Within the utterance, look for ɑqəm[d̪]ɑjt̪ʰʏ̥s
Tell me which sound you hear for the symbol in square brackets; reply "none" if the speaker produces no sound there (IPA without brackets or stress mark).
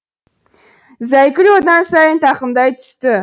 d̪